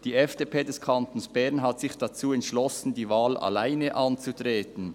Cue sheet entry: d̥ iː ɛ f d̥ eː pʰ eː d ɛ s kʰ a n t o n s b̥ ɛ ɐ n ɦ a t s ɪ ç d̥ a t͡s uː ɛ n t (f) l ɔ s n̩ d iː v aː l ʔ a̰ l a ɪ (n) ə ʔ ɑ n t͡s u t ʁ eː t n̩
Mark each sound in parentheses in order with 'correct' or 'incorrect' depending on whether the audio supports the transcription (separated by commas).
incorrect, correct